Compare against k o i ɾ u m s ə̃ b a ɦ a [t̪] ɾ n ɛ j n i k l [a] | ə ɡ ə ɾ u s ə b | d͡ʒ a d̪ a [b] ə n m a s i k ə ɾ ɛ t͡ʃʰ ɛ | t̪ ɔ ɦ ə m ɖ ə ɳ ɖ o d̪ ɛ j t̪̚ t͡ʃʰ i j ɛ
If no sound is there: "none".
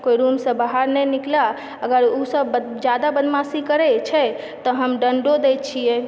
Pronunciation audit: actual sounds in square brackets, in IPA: none, a, b

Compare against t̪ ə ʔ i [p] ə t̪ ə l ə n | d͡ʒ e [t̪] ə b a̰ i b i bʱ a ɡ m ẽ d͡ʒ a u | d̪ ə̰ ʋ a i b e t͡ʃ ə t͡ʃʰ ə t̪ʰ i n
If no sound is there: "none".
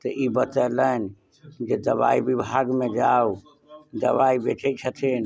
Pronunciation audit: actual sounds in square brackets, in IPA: b, d̪

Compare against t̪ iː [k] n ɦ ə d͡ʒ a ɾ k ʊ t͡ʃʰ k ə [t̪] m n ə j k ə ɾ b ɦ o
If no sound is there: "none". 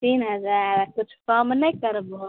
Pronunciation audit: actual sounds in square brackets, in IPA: none, none

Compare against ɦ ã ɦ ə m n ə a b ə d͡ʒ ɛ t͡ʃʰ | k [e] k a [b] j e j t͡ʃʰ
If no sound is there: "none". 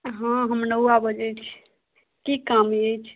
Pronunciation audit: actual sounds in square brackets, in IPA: i, m

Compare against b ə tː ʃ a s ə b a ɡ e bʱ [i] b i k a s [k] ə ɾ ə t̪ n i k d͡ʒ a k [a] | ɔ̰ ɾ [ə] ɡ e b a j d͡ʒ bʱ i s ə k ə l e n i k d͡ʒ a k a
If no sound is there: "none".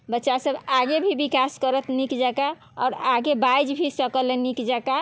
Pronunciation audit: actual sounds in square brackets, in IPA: i, k, a, a

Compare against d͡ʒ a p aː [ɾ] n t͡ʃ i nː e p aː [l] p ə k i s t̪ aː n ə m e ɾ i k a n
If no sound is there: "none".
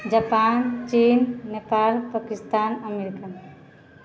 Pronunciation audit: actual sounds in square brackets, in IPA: none, l

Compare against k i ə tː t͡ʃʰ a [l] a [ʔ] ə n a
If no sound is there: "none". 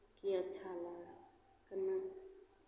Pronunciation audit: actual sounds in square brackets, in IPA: l, k

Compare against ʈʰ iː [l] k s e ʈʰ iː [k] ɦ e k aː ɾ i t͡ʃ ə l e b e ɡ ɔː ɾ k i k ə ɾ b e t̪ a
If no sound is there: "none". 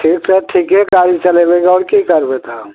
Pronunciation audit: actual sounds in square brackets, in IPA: none, k

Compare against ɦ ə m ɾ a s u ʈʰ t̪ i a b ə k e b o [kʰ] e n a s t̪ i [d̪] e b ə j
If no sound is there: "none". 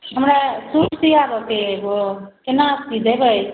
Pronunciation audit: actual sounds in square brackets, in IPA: k, d̪

